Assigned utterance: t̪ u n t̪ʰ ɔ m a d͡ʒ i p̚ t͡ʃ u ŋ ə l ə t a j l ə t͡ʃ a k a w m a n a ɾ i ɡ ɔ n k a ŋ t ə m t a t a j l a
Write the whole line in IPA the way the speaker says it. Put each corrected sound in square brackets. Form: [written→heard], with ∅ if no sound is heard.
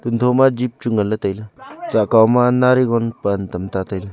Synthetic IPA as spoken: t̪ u n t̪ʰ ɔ m a d͡ʒ i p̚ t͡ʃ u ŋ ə l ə t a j l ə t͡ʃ a k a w m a n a ɾ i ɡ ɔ n [k→p] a [ŋ→n] t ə m t a t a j l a